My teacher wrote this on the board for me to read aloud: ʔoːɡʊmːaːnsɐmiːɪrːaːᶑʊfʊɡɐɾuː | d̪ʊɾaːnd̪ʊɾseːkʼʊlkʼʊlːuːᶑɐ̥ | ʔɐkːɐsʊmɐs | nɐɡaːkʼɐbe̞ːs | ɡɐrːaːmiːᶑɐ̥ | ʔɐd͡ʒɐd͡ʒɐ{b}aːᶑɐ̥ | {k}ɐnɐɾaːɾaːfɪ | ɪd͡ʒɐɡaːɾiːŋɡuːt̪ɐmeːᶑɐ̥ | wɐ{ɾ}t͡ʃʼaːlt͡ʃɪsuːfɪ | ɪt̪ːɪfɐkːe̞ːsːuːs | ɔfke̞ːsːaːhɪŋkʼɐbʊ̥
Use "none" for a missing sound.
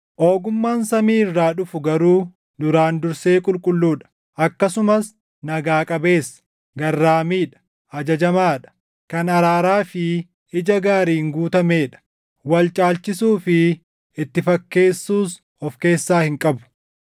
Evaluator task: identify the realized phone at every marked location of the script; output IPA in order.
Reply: m, k, l

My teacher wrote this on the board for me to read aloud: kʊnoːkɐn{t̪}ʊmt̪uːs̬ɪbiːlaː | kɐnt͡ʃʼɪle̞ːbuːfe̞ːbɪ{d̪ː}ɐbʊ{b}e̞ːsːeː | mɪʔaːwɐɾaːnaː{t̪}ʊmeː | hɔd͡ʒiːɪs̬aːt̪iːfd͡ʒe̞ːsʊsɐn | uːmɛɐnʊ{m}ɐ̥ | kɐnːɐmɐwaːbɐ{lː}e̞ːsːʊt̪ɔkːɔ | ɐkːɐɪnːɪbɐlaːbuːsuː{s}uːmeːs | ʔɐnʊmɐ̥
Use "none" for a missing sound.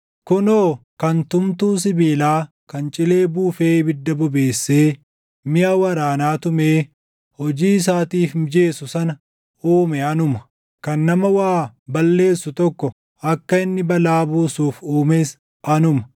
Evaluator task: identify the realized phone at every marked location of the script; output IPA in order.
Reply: t̪, d̪ː, b, t̪, m, lː, f

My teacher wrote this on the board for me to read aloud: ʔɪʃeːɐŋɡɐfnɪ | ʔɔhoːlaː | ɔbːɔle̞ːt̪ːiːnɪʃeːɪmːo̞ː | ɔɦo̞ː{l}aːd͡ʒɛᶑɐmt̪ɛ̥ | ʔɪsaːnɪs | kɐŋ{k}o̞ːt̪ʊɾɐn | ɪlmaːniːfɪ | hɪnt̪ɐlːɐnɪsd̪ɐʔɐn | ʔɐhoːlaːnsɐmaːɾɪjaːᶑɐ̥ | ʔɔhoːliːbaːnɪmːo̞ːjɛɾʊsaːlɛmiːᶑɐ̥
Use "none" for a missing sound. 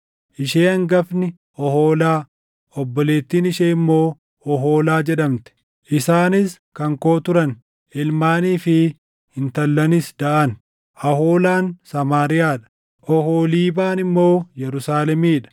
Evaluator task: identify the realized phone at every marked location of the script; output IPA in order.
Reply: l, k

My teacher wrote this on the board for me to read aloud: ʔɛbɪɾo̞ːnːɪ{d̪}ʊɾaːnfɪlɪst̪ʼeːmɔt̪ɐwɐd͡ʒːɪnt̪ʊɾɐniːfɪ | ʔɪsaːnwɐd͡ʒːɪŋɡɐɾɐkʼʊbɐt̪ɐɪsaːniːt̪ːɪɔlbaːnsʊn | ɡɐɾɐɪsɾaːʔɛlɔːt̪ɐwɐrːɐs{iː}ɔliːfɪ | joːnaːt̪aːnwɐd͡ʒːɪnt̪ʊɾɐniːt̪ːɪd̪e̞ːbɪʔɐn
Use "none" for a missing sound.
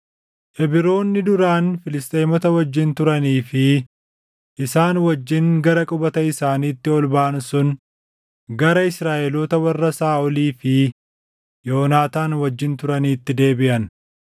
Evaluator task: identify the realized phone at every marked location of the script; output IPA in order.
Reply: d̪, aː

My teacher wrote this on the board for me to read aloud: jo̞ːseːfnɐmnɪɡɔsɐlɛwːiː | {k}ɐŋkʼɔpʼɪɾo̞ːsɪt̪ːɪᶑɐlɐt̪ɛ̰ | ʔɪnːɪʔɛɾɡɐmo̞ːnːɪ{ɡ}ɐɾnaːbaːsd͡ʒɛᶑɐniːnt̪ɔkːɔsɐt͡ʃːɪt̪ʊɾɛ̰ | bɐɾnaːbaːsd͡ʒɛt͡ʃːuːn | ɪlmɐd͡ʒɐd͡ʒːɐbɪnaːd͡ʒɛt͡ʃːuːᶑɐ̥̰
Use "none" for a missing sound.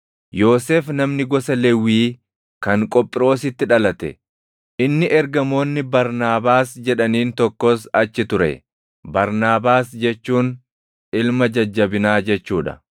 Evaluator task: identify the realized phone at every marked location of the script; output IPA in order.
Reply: k, b

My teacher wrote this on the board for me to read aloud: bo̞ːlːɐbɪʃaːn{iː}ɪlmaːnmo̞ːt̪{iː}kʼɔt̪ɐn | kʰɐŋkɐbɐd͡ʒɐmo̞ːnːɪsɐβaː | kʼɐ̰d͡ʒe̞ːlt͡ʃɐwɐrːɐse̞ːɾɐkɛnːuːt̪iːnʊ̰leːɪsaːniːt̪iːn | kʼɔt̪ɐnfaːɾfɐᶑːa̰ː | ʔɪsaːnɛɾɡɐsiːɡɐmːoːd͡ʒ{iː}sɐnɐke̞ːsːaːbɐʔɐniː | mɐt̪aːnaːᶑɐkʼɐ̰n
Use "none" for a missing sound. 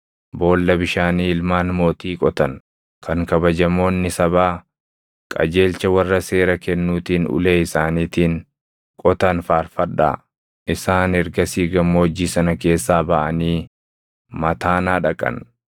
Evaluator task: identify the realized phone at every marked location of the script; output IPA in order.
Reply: iː, iː, iː

